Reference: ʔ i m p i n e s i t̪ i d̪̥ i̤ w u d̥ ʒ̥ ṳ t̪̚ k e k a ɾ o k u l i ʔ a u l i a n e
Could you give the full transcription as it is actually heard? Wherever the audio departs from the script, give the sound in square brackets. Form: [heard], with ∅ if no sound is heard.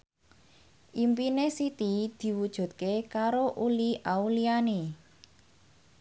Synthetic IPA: ʔ i m p i n e s i t̪ i d̪̥ i̤ w u d̥ ʒ̥ ṳ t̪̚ k e k a ɾ o [ʔ] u l i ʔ a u l i a n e